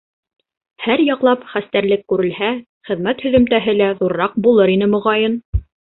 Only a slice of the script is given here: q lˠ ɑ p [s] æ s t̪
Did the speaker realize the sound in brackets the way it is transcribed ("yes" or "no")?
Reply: no